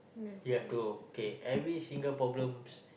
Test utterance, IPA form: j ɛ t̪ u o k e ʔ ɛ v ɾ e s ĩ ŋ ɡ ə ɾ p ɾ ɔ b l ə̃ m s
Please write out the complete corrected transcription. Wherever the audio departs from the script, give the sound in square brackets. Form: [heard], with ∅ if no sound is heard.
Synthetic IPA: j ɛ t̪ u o k e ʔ ɛ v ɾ [i] s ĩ ŋ ɡ ə [l] p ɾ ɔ b l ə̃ m s